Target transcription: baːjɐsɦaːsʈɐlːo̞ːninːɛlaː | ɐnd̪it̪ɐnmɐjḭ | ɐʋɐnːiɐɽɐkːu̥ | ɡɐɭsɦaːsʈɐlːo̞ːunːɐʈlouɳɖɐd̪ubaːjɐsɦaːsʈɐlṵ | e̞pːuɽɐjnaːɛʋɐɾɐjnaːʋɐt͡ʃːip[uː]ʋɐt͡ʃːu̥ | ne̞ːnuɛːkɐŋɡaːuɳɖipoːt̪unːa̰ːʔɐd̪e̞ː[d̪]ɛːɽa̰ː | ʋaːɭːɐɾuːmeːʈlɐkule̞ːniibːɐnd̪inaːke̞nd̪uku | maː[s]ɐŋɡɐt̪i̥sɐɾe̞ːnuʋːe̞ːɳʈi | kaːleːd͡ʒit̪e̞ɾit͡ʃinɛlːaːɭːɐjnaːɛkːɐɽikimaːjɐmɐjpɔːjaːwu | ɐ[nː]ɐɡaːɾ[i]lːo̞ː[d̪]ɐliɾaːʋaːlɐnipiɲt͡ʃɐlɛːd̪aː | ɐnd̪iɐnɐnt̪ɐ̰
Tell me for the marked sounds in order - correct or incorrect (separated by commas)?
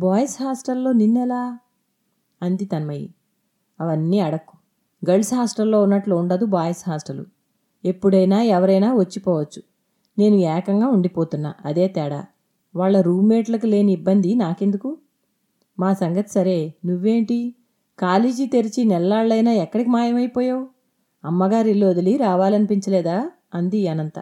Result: incorrect, incorrect, correct, incorrect, correct, correct